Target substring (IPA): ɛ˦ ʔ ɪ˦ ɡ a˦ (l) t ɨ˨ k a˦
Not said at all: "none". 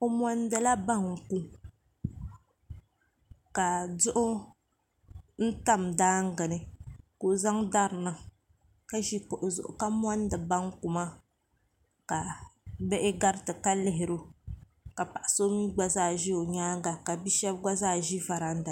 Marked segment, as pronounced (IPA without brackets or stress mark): ɾ